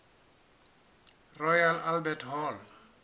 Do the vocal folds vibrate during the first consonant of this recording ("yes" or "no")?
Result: yes